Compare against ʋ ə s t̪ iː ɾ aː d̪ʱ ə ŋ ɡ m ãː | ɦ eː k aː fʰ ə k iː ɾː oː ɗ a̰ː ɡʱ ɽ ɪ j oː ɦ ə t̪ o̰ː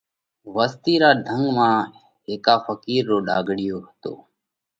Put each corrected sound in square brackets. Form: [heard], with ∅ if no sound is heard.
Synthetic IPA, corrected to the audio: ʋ ə s t̪ iː ɾ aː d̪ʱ ə ŋ ɡ m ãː | ɦ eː k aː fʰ ə k iː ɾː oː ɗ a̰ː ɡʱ ɽ ɪ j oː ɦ ə t̪ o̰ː

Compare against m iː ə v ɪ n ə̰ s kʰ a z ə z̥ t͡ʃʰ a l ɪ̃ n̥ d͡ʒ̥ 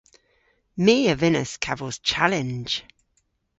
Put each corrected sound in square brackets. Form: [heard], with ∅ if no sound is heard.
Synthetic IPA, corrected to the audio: m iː ə v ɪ n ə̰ s kʰ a [v] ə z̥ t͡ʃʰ a l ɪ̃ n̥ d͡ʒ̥

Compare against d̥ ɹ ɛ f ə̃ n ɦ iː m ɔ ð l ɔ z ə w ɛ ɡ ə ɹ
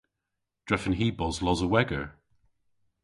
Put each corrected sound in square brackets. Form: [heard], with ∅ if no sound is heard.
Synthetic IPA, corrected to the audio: d̥ ɹ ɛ f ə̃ n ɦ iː [b] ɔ [z] l ɔ z ə w ɛ ɡ ə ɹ

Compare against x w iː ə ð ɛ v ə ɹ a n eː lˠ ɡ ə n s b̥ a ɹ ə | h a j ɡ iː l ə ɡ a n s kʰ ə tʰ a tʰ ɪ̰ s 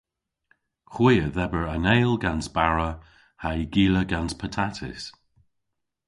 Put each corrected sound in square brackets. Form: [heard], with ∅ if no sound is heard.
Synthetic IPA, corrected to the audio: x w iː ə ð ɛ [b] ə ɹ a n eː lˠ ɡ [a] n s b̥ a ɹ ə | h a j ɡ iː l ə ɡ a n s [pʰ] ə tʰ a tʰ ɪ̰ s

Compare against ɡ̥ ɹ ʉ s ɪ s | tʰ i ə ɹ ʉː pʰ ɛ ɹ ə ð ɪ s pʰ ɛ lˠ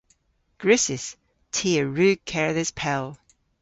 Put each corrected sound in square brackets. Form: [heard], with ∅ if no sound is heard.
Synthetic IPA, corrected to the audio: ɡ̥ ɹ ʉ s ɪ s | tʰ i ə ɹ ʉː [kʰ] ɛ ɹ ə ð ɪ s pʰ ɛ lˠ

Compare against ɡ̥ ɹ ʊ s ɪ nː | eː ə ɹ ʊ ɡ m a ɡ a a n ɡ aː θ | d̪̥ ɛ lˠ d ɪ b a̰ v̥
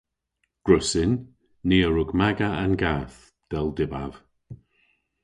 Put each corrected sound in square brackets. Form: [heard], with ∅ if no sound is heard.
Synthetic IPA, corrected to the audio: ɡ̥ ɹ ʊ s ɪ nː | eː ə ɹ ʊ ɡ m a ɡ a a n ɡ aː θ | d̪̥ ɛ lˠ d ɪ b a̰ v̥

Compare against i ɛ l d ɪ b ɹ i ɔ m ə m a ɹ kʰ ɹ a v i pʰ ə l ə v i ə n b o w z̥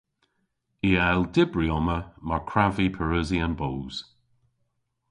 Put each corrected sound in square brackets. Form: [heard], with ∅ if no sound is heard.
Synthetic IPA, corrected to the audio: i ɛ l d ɪ b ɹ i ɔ m ə m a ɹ kʰ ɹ a v i pʰ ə [ɹ] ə [z] i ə n b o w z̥

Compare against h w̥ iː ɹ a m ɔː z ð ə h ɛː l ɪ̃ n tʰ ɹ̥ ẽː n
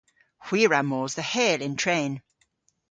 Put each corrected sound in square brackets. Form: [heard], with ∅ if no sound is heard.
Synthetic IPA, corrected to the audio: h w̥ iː ɹ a m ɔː z ð ə h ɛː l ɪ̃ n tʰ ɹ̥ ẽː n

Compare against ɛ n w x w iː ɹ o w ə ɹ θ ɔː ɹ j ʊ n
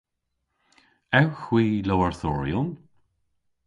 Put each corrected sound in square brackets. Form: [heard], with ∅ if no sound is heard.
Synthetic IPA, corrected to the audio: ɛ [∅] w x w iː [l] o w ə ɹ θ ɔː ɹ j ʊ n

